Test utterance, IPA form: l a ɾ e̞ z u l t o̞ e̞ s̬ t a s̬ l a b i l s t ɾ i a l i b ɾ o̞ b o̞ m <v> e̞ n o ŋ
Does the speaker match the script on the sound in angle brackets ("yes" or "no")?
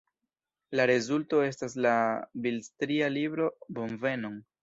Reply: yes